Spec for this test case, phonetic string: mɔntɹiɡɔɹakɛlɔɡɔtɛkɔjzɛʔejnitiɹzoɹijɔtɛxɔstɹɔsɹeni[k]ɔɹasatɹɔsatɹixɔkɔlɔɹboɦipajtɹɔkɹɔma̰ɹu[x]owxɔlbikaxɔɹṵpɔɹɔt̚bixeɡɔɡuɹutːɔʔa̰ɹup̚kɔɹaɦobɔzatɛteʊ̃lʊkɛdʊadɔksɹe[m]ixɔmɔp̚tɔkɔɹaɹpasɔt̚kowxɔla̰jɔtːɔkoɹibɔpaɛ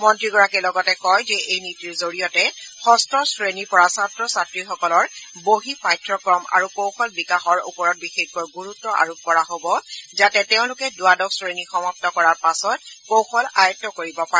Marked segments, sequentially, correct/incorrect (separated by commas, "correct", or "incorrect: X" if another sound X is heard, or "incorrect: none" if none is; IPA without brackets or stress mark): incorrect: p, incorrect: k, incorrect: n